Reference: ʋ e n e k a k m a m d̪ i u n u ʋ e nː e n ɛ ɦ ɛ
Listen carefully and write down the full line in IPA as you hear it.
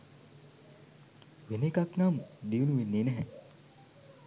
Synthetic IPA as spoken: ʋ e n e k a k n a m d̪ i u n u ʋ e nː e n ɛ ɦ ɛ